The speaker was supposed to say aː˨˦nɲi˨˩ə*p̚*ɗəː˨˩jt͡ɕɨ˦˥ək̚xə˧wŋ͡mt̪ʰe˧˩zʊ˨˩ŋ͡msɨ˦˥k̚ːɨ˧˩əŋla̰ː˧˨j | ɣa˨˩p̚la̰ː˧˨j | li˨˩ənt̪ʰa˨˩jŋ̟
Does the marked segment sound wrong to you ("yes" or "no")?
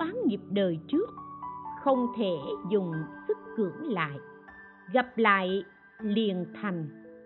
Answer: no